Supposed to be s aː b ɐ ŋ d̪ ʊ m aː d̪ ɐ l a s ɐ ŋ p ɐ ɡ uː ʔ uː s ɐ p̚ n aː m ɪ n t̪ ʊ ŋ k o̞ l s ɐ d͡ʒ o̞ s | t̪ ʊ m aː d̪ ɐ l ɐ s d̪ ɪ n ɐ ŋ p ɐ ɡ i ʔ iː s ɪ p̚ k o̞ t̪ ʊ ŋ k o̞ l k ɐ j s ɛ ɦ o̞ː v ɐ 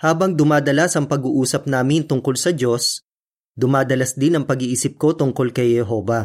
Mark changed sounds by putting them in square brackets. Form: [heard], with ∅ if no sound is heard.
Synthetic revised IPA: [h] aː b ɐ ŋ d̪ ʊ m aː d̪ ɐ l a s ɐ ŋ p ɐ ɡ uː ʔ uː s ɐ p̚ n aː m ɪ n t̪ ʊ ŋ k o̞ l s ɐ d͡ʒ o̞ s | [d̪] ʊ m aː d̪ ɐ l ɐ s d̪ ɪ n ɐ ŋ p ɐ ɡ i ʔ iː s ɪ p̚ k o̞ t̪ ʊ ŋ k o̞ l k ɐ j [h] ɛ ɦ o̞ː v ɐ